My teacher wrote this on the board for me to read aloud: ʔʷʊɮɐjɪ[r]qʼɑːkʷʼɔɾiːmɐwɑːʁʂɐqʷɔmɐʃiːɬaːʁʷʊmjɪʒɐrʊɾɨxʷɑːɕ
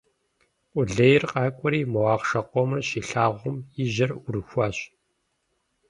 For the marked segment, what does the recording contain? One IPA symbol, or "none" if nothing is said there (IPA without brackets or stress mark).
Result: r